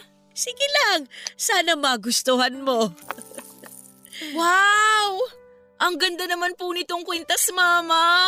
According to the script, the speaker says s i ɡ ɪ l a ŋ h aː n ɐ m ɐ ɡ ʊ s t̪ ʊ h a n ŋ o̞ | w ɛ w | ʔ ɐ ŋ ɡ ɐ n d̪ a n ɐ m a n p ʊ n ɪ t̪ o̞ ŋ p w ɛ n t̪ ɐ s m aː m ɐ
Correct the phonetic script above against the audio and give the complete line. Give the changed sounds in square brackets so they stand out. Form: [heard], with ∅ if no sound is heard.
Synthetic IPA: s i ɡ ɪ l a ŋ [s] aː n ɐ m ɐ ɡ ʊ s t̪ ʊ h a n [m] o̞ | w [a] w | ʔ ɐ ŋ ɡ ɐ n d̪ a n ɐ m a n p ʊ n ɪ t̪ o̞ ŋ [k] w ɛ n t̪ ɐ s m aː m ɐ